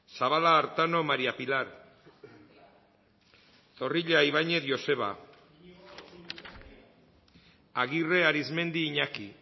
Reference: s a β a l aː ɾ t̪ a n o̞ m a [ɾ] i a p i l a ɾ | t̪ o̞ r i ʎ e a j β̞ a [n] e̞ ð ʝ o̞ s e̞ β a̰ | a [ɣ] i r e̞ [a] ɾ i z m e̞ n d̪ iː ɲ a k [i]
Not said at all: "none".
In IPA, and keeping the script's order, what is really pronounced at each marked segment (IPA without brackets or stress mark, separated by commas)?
ɾ, ɲ, ɣ, a, i